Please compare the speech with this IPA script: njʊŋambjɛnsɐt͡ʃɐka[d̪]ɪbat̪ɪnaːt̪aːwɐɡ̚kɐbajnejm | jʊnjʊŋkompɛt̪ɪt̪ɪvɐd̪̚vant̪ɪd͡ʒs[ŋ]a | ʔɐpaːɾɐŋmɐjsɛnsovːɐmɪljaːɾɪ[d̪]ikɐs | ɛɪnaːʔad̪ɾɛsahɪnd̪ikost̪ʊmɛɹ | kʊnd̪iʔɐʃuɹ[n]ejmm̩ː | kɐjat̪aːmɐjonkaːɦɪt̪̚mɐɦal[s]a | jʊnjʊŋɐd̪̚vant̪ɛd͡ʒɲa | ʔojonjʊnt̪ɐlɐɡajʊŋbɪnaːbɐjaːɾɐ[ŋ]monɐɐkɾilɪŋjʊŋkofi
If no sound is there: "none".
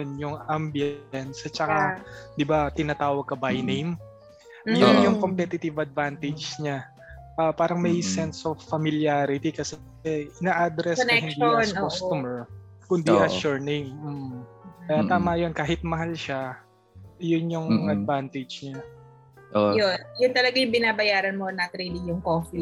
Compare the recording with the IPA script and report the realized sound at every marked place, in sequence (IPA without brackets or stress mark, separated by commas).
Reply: d̪, ɲ, t̪, n, ʃ, n